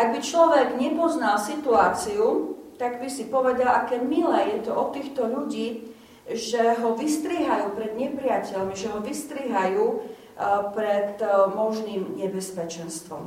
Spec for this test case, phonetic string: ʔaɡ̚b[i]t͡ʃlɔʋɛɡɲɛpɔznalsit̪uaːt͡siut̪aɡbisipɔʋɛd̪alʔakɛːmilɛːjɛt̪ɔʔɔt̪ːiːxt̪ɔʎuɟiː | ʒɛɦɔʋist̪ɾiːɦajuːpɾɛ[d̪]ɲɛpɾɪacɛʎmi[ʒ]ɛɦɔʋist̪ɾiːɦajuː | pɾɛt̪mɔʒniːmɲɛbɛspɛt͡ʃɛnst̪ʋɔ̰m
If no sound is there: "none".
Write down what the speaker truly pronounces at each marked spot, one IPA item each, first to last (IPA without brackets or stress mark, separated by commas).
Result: i, d̪, ʒ